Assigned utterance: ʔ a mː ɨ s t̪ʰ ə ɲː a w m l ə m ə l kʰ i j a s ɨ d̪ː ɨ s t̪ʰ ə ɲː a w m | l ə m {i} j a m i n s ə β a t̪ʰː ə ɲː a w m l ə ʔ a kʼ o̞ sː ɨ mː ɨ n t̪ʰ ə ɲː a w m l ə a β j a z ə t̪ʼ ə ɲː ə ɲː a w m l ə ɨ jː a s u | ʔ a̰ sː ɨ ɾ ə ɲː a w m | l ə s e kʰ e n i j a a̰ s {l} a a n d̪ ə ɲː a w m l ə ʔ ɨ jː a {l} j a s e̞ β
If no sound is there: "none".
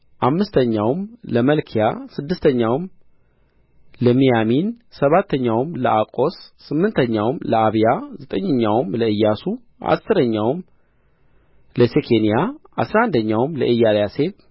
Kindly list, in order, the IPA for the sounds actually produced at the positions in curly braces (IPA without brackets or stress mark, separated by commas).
i, ɾ, l